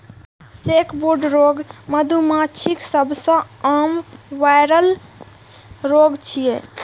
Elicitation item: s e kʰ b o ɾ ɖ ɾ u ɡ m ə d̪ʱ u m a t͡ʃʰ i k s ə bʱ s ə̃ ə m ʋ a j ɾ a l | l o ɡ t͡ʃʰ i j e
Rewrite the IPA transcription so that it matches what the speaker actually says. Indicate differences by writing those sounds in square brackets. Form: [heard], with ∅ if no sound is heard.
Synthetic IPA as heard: s e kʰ b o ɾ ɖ ɾ [o] ɡ m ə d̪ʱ u m a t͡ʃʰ i k s ə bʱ s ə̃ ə m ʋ a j ɾ [ə] l | [ɾ] o ɡ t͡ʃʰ i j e

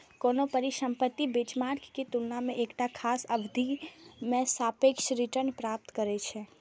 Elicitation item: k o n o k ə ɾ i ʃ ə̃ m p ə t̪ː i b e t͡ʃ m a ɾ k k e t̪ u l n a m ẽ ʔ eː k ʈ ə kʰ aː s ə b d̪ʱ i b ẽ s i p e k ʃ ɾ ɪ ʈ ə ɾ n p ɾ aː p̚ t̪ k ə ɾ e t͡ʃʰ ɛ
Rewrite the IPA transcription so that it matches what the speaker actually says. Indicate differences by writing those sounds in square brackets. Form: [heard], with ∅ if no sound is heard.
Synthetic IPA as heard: k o n o [p] ə ɾ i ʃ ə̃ m p ə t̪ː i b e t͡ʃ m a ɾ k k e t̪ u l n a m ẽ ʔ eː k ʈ [a] kʰ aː s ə b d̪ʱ i [m] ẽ s [a] p e k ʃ ɾ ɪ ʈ ə ɾ n p ɾ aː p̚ t̪ k ə ɾ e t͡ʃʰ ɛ

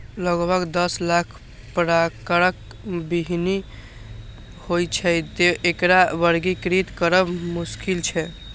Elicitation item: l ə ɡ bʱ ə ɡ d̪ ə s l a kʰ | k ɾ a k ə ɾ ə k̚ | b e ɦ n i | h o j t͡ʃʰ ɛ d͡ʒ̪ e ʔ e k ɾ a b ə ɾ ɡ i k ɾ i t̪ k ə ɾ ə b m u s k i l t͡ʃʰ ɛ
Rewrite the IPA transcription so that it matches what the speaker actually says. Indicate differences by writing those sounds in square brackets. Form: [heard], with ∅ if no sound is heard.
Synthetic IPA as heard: l ə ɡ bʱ ə ɡ d̪ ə s l a kʰ | [p] ɾ a k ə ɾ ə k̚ | b [i] ɦ n i | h o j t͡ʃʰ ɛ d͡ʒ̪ e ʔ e k ɾ a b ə ɾ ɡ i k ɾ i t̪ k ə ɾ ə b m u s k i l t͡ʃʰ ɛ

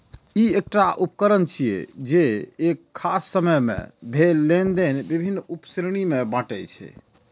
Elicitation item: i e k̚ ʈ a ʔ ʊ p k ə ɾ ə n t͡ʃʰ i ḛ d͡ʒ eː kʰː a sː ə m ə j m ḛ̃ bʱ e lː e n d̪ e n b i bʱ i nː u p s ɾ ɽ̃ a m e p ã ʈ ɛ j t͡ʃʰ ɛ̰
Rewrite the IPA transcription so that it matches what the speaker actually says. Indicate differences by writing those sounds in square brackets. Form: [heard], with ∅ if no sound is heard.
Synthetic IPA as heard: i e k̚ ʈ a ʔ [u] p k ə ɾ ə n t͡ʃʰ i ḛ d͡ʒ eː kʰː a sː ə m ə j m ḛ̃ bʱ e lː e n d̪ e n b i bʱ i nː u p s ɾ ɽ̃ [i] m e [b] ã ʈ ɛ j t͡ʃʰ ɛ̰

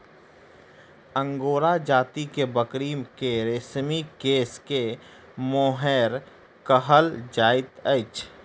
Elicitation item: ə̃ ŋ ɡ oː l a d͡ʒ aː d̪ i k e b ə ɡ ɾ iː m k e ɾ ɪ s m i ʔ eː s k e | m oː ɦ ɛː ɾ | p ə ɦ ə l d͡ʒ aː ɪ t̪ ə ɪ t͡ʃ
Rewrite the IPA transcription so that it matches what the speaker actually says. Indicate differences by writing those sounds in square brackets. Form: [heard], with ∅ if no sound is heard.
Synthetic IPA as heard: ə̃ ŋ ɡ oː [ɾ] a d͡ʒ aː [t̪] i k e b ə [k] ɾ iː m k e ɾ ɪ s m i [k] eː s k e | m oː ɦ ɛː ɾ | [k] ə ɦ ə l d͡ʒ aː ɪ t̪ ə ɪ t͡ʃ

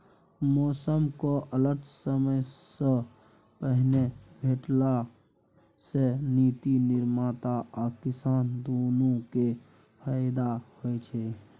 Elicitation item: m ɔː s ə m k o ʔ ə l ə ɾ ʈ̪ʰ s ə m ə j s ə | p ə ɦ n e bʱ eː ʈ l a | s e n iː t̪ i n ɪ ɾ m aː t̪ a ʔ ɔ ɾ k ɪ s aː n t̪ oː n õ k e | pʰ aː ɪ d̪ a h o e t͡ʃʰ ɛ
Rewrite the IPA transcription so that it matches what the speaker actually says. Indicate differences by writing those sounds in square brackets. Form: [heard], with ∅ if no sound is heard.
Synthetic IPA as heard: m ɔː s ə m k o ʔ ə l ə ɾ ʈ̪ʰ s ə m ə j s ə | p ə ɦ n e bʱ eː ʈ l a | s e n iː t̪ i n ɪ ɾ m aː t̪ a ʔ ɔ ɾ k ɪ s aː n [d̪] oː n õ k e | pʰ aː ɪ d̪ a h o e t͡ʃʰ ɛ

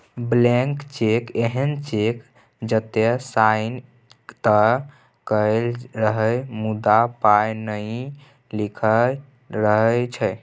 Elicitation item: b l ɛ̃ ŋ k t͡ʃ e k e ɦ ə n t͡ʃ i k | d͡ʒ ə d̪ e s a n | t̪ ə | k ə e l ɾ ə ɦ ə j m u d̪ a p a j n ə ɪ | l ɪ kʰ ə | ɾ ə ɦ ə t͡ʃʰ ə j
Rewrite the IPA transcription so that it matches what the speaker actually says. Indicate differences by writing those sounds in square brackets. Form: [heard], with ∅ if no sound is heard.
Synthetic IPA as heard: b l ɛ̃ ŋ k t͡ʃ e k e ɦ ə n t͡ʃ [e] k | d͡ʒ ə [t̪] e s a n | t̪ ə | k ə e l ɾ ə ɦ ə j m u d̪ a p a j n ə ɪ | l [i] kʰ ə | ɾ ə ɦ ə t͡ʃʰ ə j

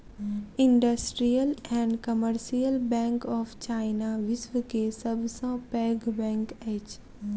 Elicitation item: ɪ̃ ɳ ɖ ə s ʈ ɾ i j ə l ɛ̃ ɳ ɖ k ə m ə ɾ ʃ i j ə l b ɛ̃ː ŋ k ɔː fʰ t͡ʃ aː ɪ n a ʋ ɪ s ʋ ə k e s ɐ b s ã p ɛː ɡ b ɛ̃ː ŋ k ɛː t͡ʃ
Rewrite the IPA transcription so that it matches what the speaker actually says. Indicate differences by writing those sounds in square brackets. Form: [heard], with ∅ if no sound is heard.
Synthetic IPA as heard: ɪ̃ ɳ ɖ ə s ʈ ɾ i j ə l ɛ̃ ɳ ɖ k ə m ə ɾ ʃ i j ə l b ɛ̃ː ŋ k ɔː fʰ t͡ʃ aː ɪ n a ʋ ɪ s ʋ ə k e s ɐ b s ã p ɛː ɡ b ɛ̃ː ŋ k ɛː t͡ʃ

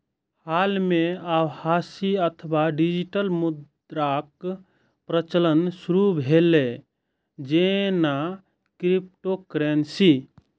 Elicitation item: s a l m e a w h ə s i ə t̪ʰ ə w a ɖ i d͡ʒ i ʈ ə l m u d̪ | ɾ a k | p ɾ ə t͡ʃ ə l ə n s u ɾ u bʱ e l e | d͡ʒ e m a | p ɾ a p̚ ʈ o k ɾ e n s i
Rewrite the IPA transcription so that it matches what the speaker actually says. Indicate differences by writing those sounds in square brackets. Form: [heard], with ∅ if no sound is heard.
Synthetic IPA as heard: [h] a l m e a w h [a] s i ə t̪ʰ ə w a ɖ i d͡ʒ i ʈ ə l m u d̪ | ɾ a k | p ɾ ə t͡ʃ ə l ə n s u ɾ u bʱ e l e | d͡ʒ e [n] a | [k] ɾ [i] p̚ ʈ o k ɾ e n s i

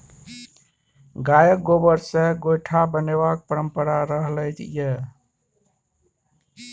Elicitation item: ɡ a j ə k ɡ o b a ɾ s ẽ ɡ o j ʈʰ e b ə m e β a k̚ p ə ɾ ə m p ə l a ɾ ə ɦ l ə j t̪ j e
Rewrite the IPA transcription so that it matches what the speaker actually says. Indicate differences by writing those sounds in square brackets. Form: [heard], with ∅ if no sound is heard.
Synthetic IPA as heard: ɡ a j ə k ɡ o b [ə] ɾ s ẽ ɡ o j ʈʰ [a] b ə [n] e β a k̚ p ə ɾ ə m p ə [ɾ] a ɾ ə ɦ l ə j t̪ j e

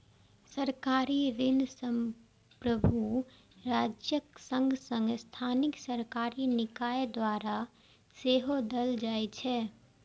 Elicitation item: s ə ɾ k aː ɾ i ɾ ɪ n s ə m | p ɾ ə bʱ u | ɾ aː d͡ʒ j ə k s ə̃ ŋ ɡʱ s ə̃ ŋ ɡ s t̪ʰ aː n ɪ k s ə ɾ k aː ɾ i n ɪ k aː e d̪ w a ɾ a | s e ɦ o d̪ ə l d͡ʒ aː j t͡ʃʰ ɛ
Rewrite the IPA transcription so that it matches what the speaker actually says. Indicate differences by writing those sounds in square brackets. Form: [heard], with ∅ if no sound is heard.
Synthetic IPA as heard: s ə ɾ k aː ɾ i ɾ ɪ n s ə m | p ɾ ə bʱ u | ɾ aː d͡ʒ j ə k s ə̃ ŋ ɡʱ s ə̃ ŋ ɡ s t̪ʰ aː n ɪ k s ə ɾ k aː ɾ i n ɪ k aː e d̪ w a ɾ a | s e ɦ o d̪ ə l d͡ʒ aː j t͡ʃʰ ɛ

